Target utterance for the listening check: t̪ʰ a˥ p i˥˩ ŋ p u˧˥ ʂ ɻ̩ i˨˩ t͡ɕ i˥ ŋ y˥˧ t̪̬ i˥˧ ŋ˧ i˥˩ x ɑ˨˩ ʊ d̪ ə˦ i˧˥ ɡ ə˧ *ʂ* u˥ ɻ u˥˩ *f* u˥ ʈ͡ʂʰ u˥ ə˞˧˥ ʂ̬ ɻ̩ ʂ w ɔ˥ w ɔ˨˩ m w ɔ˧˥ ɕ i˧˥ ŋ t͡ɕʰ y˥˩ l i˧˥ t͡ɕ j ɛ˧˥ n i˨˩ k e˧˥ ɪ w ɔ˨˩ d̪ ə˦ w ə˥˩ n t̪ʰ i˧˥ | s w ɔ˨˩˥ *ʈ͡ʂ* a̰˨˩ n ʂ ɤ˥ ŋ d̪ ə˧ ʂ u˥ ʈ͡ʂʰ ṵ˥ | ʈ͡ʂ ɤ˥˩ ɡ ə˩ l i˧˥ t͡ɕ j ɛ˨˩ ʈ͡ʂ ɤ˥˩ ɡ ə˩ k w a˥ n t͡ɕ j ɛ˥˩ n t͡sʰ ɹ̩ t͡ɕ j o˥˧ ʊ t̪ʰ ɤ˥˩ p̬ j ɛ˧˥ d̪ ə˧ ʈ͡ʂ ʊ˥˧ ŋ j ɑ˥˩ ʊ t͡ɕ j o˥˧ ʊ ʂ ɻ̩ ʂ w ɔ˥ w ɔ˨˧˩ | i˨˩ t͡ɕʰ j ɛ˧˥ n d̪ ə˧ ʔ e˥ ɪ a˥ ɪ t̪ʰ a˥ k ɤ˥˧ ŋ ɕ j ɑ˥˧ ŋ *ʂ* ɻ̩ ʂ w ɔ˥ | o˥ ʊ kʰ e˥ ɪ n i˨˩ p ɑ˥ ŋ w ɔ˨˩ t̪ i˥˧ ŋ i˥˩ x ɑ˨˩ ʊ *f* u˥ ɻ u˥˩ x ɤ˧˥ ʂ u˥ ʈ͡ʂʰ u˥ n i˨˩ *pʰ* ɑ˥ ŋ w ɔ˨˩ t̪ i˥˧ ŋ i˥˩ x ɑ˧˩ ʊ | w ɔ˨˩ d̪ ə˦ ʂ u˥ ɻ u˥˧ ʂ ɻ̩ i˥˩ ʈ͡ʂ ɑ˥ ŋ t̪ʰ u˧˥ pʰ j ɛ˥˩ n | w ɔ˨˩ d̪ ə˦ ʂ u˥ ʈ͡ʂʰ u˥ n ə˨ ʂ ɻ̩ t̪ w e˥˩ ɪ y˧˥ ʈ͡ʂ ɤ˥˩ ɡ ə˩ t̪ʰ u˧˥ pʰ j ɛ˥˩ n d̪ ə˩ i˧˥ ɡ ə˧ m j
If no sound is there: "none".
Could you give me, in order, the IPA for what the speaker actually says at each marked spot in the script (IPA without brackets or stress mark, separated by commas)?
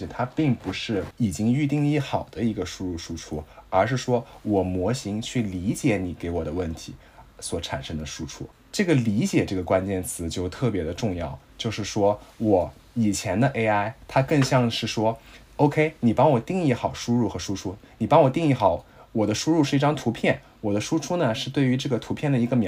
ʂ, ʂ, ʈ͡ʂʰ, ʂ, ʂ, p